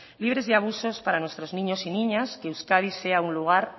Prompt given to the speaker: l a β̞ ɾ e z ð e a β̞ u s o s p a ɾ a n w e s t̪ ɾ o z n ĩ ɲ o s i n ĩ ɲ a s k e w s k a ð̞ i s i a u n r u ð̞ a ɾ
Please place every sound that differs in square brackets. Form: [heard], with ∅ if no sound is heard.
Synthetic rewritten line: l [i] β̞ ɾ e z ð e a β̞ u s o s p a ɾ a n w e s t̪ ɾ o z n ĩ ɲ o s i n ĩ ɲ a s k e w s k a ð̞ i s [e] a u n [l] u [ɣ̞] a ɾ